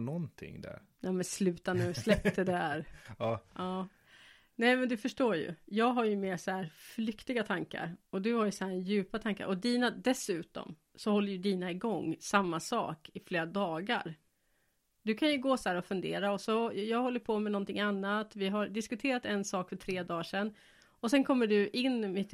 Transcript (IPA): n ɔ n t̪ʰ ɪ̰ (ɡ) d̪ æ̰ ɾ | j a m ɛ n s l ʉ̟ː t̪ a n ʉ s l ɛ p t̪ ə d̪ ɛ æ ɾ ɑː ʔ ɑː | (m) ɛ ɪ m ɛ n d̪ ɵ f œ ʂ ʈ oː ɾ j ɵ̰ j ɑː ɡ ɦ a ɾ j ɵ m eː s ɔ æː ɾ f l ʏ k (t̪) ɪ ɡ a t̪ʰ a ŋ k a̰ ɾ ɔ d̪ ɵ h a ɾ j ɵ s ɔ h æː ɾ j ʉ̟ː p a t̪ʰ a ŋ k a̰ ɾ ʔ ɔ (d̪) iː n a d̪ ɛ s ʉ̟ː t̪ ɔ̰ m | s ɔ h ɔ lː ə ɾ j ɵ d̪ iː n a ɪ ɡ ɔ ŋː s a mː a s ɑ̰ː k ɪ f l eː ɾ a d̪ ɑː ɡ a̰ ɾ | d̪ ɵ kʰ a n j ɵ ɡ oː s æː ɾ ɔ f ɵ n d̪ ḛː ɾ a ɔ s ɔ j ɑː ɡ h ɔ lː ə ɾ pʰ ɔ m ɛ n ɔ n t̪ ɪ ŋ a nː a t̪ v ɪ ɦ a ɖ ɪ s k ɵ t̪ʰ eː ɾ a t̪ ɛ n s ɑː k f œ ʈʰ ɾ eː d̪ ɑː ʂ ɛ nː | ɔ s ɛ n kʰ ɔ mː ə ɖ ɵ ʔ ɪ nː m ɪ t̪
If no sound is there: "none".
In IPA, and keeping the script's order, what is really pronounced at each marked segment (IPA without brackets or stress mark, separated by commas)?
ŋ, n, t̪, d̪